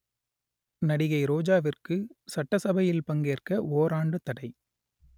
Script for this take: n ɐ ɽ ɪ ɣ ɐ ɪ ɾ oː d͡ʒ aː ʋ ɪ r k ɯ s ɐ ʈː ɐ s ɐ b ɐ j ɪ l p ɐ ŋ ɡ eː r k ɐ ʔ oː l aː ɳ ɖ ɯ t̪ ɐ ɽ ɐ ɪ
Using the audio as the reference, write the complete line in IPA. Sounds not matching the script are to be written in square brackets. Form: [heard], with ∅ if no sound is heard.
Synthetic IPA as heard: n ɐ ɽ ɪ ɣ ɐ ɪ ɾ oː d͡ʒ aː ʋ ɪ r k ɯ s ɐ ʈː ɐ s ɐ b ɐ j ɪ l p ɐ ŋ ɡ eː r k ɐ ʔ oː [ɾ] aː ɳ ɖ ɯ t̪ ɐ ɽ ɐ ɪ